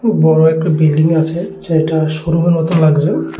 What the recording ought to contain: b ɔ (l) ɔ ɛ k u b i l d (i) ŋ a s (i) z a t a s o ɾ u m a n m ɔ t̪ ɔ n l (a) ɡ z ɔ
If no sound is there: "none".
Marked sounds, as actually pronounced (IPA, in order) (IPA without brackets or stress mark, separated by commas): ɹ, i, ɛ, a